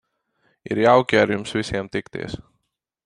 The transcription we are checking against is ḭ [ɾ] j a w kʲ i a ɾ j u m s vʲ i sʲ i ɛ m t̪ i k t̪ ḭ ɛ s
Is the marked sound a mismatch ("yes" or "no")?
no